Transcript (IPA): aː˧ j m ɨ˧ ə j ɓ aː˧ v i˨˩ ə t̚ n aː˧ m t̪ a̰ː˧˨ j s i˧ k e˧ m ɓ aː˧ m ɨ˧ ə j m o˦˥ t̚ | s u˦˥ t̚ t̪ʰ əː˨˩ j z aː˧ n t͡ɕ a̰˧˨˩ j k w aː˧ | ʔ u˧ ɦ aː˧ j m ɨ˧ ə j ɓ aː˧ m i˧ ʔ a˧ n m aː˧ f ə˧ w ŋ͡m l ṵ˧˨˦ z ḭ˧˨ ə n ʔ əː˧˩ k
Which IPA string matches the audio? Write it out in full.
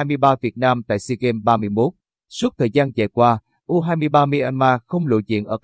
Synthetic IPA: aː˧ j m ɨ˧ ə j ɓ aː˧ v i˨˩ ə t̚ n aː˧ m t̪ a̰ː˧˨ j s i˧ k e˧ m ɓ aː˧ m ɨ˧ ə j m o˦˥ t̚ | s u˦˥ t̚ t̪ʰ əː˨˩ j z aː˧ n t͡ɕ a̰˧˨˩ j k w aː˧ | ʔ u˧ ɦ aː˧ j m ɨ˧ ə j ɓ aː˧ m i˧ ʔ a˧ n m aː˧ x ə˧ w ŋ͡m l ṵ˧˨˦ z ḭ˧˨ ə n ʔ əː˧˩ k

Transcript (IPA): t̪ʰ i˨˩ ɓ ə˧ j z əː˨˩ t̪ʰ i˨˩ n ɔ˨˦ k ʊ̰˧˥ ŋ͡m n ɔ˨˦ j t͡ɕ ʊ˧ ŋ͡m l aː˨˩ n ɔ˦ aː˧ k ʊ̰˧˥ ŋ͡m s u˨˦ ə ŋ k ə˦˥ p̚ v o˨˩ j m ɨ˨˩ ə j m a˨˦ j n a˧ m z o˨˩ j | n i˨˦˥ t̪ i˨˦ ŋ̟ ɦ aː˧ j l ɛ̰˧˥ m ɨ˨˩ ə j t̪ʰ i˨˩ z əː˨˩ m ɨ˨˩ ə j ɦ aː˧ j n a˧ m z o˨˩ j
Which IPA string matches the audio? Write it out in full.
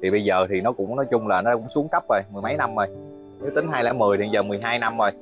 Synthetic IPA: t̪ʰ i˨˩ ɓ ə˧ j z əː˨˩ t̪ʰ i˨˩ n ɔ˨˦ k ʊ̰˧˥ ŋ͡m n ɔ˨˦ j t͡ɕ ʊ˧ ŋ͡m l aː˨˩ n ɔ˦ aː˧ k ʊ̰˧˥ ŋ͡m s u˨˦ ə ŋ k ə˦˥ p̚ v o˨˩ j m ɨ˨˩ ə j m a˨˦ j n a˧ m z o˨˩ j | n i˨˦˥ t̪ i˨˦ ŋ̟ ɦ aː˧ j l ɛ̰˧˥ m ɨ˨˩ ə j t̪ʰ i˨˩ z əː˨˩ m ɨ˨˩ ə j ɦ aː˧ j n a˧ m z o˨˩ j

